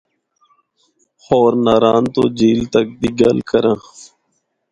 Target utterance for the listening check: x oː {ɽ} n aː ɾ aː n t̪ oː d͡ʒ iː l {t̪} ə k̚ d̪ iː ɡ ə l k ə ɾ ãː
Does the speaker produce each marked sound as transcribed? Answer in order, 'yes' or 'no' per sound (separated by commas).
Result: no, yes